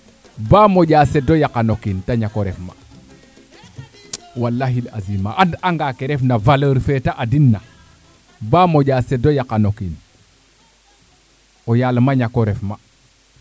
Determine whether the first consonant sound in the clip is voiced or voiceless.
voiced